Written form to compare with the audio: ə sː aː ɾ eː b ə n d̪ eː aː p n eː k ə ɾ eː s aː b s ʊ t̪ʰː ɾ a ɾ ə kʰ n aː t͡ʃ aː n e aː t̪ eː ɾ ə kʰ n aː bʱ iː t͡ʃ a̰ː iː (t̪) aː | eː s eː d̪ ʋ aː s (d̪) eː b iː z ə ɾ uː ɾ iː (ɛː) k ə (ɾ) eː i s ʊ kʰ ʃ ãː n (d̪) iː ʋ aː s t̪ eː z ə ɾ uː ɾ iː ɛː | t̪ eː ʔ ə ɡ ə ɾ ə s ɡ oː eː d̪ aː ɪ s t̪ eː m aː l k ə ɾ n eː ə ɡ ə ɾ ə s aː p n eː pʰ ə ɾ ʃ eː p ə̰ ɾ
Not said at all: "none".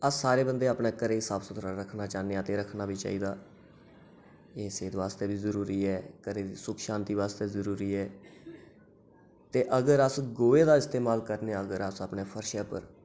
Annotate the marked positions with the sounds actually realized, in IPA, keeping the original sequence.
d̪, t̪, ɛː, ɾ, t̪

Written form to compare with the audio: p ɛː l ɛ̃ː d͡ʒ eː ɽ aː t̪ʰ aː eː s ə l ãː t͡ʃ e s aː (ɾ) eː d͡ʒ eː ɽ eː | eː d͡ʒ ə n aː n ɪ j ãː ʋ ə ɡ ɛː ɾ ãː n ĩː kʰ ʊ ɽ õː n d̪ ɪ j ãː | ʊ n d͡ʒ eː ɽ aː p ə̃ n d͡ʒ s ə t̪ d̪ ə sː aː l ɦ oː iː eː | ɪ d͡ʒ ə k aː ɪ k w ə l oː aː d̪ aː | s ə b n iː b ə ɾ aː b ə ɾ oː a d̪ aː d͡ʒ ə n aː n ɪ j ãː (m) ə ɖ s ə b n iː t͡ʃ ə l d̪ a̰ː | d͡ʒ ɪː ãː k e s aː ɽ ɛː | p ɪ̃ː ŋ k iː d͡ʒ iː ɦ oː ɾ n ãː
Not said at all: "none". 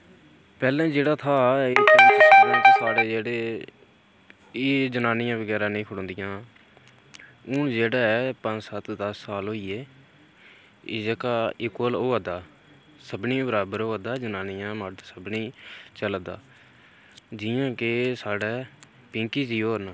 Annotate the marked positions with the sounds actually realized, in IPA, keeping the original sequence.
ɽ, m

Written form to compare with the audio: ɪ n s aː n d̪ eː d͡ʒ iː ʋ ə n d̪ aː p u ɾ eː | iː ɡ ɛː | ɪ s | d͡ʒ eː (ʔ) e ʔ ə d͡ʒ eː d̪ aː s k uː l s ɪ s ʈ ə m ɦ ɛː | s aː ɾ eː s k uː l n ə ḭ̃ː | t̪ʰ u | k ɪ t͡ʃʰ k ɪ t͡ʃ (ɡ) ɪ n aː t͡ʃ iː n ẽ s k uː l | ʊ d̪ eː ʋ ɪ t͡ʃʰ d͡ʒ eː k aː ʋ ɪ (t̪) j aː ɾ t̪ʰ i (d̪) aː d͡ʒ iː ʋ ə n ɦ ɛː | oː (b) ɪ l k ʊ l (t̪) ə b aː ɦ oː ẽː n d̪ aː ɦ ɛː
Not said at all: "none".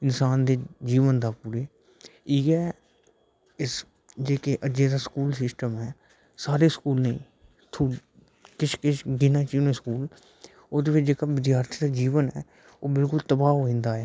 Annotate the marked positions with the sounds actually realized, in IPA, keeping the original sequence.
k, ɡ, d̪, d̪, b, t̪

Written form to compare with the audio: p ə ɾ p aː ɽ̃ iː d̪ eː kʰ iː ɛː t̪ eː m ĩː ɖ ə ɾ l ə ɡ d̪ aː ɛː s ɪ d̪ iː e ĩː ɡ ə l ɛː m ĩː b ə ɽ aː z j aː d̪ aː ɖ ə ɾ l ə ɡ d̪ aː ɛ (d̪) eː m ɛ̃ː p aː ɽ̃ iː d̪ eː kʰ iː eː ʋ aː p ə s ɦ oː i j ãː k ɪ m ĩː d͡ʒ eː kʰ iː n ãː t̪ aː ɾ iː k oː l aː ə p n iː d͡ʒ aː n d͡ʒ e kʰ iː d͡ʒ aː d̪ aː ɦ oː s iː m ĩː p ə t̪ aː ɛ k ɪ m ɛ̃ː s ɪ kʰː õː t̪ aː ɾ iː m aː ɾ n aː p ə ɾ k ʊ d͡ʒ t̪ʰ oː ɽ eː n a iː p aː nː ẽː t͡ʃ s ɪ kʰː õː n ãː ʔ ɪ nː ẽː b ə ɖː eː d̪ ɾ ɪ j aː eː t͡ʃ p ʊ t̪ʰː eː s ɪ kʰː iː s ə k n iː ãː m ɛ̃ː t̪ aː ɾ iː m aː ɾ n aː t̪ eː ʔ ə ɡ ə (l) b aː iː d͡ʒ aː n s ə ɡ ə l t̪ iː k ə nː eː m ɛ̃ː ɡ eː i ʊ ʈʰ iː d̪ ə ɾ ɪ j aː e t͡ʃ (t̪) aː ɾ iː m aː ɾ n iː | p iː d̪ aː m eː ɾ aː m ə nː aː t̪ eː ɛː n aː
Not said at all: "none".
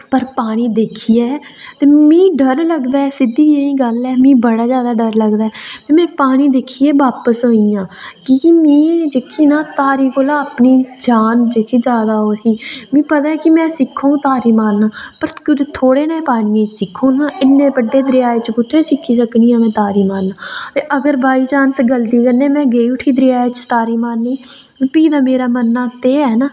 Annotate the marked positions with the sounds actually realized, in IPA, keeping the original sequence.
t̪, ɾ, t̪

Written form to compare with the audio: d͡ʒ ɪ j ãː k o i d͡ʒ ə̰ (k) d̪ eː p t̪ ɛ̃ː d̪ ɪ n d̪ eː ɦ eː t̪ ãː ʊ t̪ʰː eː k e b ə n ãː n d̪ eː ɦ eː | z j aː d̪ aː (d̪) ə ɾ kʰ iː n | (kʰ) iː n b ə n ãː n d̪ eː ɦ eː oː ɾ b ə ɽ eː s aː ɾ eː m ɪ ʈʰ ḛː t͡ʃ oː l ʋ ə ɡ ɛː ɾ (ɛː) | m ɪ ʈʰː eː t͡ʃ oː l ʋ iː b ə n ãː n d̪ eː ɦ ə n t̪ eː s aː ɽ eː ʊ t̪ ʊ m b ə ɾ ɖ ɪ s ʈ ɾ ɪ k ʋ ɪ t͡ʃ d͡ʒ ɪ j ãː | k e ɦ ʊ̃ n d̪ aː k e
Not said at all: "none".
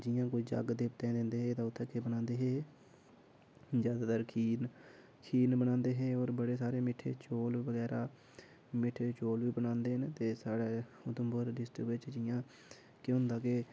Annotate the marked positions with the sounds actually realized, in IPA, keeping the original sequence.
ɡ, t̪, kʰ, aː

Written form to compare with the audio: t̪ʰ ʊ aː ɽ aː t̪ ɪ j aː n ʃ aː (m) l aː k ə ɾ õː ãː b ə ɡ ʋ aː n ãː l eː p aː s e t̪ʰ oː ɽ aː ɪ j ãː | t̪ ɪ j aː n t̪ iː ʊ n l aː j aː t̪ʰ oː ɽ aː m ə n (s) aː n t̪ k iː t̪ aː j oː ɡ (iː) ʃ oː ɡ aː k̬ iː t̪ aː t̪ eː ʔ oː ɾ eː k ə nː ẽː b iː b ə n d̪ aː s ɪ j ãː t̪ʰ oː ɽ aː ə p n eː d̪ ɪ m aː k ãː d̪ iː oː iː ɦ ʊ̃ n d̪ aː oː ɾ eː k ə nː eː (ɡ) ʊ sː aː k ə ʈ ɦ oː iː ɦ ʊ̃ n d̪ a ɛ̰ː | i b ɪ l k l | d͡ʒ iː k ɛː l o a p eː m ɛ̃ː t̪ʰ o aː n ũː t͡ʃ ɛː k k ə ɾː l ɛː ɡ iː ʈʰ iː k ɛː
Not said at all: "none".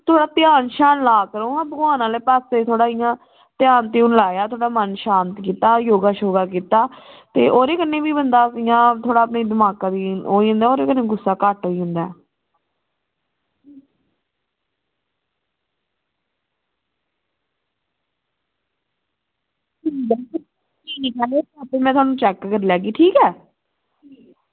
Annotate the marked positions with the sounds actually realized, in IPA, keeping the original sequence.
n, ʃ, aː, ɡ

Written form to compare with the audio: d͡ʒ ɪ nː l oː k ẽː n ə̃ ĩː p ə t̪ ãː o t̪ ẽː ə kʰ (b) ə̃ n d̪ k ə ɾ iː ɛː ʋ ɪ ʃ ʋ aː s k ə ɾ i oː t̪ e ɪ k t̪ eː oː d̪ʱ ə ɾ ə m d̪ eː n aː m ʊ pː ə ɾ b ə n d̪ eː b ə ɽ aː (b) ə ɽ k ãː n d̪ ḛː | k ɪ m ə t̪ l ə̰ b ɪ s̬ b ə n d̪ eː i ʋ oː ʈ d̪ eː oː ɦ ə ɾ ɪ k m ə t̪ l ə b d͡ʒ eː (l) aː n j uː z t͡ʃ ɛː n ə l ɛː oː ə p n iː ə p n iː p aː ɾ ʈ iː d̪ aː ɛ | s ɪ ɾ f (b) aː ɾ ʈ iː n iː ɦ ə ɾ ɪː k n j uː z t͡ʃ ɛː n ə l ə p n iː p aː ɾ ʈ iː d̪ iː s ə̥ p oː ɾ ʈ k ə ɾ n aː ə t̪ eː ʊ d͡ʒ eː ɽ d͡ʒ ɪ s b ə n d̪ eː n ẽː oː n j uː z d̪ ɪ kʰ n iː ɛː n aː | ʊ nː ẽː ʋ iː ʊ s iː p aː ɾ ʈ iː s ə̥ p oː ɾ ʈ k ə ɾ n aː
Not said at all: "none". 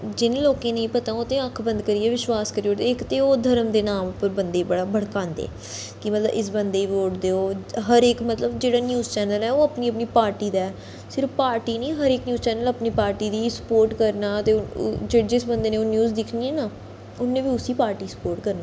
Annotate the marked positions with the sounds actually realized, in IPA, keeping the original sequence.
b, b, ɽ, p

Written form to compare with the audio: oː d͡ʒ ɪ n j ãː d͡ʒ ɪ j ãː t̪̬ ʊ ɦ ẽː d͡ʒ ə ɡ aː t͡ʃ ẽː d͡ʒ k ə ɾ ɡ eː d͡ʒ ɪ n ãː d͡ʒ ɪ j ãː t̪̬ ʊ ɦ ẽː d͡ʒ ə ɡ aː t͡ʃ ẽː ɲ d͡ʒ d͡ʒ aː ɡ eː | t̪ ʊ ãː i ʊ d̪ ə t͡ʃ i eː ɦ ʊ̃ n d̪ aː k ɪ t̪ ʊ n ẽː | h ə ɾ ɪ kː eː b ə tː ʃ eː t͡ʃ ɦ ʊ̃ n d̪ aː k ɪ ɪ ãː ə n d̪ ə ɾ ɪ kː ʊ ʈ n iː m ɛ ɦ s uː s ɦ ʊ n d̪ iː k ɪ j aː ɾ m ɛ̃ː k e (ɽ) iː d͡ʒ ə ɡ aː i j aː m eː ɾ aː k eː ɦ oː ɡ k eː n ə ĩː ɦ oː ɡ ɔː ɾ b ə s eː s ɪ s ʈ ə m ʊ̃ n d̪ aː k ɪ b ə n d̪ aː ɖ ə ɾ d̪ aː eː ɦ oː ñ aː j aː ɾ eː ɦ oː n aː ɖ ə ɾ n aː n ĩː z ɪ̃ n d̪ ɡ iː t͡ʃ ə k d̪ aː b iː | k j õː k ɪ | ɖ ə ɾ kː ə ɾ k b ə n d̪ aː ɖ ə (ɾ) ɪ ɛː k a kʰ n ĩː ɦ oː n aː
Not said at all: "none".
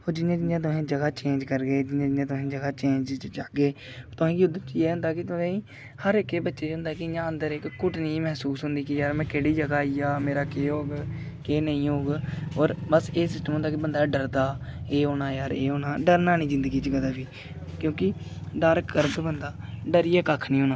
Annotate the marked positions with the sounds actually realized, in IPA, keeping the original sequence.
ɽ, ɾ

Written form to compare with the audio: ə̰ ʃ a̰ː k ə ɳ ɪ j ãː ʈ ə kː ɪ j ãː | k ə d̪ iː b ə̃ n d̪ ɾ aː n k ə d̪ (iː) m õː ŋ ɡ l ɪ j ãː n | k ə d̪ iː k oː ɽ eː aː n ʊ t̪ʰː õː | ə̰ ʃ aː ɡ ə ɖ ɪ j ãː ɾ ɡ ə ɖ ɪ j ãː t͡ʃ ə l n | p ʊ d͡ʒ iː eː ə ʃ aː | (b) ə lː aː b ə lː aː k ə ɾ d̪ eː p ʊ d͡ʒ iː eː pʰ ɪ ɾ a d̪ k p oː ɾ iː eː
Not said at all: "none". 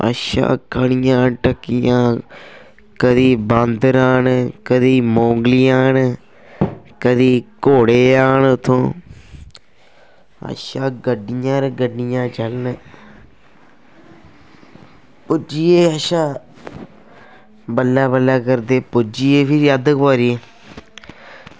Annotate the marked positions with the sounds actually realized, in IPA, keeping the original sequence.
iː, b

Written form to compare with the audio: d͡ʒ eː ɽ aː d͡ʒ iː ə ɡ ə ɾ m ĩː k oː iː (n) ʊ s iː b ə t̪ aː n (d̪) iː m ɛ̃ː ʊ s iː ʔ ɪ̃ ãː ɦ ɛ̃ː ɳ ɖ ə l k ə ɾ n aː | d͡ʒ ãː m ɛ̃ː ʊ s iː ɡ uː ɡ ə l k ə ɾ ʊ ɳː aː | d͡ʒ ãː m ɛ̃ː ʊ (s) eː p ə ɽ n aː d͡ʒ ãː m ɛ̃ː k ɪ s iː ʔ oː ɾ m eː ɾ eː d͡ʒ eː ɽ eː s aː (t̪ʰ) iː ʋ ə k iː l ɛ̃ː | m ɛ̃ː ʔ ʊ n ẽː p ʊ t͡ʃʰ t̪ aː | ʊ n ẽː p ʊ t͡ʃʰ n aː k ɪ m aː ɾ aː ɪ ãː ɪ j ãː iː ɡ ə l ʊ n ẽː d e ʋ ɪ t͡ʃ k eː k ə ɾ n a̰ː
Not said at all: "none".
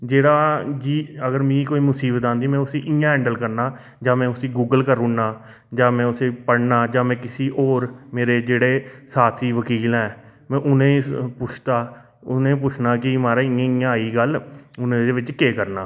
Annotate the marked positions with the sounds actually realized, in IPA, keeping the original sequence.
m, d̪, s, t̪ʰ

